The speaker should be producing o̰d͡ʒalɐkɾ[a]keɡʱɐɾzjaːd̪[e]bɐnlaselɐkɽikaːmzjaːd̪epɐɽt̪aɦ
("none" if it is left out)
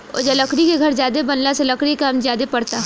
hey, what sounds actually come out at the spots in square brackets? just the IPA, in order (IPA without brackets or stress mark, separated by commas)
i, e